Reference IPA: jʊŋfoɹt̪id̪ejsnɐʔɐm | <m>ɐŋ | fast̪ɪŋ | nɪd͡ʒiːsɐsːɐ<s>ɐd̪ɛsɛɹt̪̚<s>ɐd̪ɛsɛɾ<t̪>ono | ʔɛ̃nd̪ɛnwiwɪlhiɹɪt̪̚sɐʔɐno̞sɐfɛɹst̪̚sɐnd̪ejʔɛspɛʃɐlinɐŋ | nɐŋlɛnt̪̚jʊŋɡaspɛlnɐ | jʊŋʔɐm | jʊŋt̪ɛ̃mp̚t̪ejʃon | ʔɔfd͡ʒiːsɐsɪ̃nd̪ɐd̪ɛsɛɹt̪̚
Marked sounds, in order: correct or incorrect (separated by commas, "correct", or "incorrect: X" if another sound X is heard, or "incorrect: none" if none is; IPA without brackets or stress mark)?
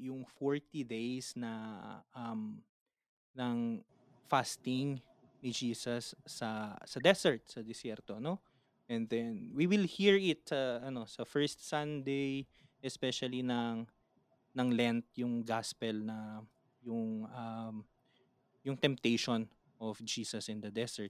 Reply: incorrect: n, correct, correct, correct